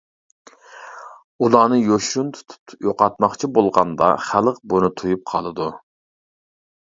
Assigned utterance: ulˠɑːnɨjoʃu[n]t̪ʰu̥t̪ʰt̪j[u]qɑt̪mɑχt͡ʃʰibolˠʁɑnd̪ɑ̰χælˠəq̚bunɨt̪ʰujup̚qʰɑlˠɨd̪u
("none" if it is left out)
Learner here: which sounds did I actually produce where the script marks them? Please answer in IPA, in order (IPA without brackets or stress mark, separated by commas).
n, o